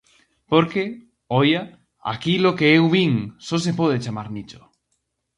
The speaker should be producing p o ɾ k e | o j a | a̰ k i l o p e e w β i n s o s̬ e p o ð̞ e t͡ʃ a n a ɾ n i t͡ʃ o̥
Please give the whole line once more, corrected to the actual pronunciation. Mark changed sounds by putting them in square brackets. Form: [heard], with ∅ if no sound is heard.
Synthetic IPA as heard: p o ɾ k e | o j a | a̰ k i l o [k] e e w β i [ŋ] s o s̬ e p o ð̞ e t͡ʃ a [m] a ɾ n i t͡ʃ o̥